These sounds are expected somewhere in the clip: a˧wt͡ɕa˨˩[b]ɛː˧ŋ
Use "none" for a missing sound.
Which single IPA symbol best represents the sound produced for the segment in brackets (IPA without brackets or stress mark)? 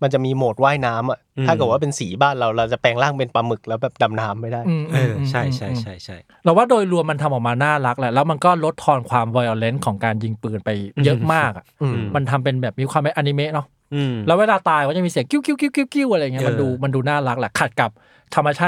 p